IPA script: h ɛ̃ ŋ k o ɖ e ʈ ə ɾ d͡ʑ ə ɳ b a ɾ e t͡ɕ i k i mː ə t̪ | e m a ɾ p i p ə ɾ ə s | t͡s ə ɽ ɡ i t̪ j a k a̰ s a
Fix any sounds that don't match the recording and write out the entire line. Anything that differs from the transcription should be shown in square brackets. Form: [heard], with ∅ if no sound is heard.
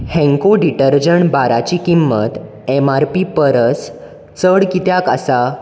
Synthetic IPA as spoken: h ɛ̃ ŋ k o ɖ [i] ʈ ə ɾ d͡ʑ ə ɳ b a ɾ [a] t͡ɕ i k i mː ə t̪ | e m a ɾ p i p ə ɾ ə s | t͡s ə ɽ [k] i t̪ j a k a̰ s a